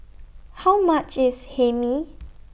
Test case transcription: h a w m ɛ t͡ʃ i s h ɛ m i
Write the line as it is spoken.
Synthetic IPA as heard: h a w m a t͡ʃ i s h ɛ m i